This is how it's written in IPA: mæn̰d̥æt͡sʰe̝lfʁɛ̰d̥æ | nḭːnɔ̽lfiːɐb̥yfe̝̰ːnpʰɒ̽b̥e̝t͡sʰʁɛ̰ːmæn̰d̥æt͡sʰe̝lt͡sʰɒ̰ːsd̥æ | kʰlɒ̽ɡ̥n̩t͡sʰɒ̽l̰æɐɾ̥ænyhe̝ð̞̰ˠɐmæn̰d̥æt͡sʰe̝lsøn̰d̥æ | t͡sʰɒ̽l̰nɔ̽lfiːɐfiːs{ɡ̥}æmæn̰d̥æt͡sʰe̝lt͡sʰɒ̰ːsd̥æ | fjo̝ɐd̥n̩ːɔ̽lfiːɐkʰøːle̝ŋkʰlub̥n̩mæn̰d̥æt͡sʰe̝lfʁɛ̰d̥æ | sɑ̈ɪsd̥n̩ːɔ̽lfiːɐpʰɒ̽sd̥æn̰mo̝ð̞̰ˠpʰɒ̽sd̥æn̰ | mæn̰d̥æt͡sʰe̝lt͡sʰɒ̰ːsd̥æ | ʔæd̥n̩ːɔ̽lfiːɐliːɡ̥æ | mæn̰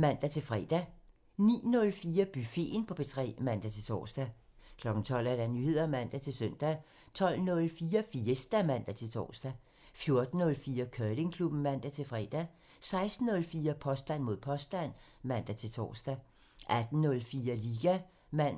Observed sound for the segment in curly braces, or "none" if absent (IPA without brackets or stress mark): d̥